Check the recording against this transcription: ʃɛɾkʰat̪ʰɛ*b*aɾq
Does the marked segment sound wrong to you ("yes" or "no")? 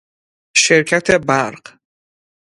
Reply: no